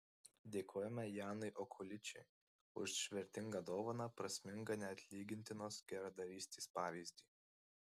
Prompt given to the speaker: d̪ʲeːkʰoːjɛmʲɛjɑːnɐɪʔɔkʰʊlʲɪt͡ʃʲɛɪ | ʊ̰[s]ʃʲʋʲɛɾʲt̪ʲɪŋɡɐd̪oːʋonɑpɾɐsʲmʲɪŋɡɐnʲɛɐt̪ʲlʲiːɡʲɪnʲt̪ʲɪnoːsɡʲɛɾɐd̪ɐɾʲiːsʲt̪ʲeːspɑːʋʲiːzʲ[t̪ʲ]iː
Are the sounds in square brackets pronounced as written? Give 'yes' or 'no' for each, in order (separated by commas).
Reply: no, no